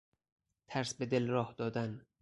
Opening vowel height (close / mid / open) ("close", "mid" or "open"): open